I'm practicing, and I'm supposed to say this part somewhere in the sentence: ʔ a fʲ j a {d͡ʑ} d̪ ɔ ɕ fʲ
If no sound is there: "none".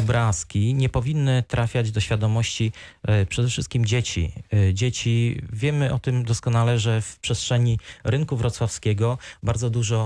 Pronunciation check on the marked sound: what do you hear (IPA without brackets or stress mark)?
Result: d͡ʑ